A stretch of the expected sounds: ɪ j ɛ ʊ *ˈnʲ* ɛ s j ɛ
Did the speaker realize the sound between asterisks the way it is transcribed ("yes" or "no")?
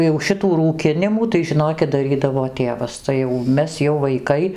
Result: no